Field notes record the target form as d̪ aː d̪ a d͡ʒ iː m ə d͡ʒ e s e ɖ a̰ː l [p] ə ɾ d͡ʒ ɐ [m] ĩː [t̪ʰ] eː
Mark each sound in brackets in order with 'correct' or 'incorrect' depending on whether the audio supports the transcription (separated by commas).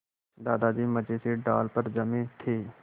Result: correct, correct, correct